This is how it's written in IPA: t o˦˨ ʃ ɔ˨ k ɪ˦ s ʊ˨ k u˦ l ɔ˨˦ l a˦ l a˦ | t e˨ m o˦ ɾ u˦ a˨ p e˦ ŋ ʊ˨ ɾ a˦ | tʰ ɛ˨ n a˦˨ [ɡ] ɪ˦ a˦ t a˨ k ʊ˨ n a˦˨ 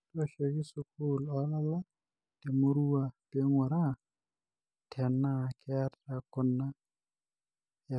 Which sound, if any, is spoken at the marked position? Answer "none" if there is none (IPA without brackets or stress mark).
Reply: k